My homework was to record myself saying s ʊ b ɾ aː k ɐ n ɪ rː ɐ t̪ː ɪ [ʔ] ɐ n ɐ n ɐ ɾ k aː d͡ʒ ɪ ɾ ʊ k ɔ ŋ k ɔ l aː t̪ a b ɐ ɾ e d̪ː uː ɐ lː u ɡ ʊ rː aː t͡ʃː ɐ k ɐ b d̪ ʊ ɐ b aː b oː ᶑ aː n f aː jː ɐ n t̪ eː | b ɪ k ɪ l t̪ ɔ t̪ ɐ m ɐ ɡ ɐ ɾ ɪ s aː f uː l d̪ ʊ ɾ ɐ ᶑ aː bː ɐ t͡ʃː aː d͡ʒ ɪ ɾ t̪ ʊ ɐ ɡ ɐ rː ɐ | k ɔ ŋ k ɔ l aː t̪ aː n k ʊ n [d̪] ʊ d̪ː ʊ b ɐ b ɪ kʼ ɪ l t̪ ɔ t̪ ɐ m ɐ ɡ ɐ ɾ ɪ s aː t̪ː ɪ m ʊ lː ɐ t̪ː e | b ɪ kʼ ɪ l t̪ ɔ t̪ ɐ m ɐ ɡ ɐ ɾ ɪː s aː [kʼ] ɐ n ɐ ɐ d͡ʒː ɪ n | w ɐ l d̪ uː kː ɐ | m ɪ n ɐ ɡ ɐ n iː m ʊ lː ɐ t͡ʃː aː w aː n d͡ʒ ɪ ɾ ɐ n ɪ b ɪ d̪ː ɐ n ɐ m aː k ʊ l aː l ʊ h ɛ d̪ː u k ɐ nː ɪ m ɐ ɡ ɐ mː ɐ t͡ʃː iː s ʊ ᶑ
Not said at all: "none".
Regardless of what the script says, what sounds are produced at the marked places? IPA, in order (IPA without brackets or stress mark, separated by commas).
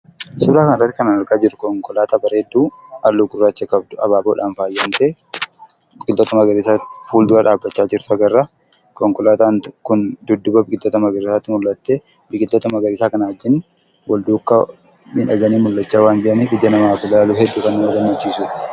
k, d̪, k